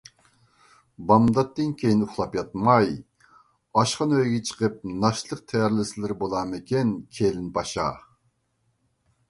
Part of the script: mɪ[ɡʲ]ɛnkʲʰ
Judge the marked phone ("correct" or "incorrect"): incorrect